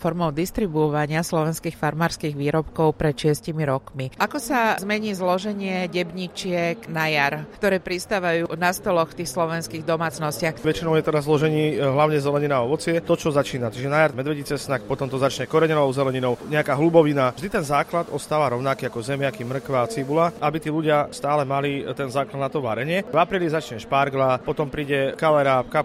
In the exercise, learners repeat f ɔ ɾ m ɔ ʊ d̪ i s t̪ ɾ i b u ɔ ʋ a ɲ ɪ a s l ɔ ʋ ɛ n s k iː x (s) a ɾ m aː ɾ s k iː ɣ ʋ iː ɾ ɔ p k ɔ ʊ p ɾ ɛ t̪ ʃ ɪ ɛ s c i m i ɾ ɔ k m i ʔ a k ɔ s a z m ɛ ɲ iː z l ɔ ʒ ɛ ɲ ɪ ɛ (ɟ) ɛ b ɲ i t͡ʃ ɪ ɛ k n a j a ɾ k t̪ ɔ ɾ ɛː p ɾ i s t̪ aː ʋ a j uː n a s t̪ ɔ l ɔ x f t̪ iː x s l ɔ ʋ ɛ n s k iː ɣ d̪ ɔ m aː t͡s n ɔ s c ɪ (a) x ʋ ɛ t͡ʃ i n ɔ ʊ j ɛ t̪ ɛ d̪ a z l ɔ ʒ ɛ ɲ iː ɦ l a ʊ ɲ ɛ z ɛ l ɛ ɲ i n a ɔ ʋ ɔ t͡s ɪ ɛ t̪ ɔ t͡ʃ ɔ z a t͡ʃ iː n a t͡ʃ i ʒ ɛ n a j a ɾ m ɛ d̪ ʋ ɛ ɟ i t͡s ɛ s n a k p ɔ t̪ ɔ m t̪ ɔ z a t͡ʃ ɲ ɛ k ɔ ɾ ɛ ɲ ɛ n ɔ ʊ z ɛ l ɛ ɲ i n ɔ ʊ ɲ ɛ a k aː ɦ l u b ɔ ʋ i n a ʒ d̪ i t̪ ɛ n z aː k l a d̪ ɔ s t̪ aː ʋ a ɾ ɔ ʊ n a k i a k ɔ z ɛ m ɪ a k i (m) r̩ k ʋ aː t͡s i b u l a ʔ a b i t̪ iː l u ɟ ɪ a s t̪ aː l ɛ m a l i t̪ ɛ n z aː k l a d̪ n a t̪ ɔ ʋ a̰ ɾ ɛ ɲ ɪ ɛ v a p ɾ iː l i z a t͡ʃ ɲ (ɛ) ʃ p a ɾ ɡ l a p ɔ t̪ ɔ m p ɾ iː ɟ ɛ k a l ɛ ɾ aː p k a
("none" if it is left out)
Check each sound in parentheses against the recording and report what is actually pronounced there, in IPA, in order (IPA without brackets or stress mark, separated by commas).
f, ɟ, a, m, ɛ